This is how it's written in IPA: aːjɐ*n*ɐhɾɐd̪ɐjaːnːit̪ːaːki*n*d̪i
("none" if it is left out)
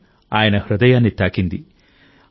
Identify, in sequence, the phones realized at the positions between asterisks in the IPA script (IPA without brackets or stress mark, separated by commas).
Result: n, n